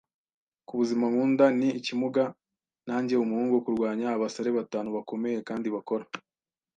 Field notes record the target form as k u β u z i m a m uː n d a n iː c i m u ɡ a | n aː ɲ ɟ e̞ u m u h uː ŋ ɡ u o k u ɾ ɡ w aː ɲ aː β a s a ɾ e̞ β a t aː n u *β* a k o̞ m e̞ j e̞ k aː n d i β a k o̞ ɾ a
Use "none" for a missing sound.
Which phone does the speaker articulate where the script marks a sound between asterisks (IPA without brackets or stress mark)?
β